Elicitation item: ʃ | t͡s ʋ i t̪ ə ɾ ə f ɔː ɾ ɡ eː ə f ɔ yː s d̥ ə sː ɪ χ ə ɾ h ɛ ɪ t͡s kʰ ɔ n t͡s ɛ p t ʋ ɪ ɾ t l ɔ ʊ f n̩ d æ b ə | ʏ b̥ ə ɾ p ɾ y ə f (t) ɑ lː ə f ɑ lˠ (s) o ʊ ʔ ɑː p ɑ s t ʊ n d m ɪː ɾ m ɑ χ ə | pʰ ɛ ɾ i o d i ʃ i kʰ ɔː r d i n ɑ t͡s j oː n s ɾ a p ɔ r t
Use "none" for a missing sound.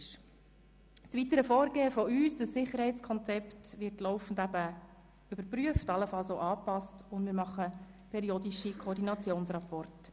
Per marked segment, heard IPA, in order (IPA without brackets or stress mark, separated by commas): t, s